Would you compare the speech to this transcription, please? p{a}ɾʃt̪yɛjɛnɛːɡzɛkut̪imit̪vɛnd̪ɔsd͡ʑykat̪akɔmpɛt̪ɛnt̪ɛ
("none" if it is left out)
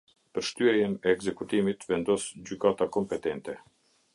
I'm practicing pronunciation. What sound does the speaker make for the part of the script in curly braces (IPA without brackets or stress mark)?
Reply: ə